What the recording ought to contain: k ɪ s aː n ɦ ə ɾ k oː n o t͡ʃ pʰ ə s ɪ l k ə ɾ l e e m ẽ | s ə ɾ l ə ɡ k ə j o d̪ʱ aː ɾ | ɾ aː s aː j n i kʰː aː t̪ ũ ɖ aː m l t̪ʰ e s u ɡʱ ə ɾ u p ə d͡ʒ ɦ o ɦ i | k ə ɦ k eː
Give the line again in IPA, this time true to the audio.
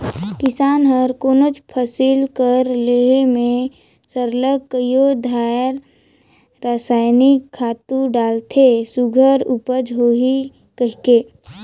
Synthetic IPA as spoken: k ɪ s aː n ɦ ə ɾ k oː n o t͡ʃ pʰ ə s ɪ l k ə ɾ l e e m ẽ | s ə ɾ l ə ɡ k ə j o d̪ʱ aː ɾ | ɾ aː s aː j n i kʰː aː t̪ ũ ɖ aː l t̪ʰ e s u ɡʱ ə ɾ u p ə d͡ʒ ɦ o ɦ i | k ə ɦ k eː